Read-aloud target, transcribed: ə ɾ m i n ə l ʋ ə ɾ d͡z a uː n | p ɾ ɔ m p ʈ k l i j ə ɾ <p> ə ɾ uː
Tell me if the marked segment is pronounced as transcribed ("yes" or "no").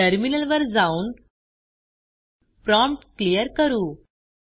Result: no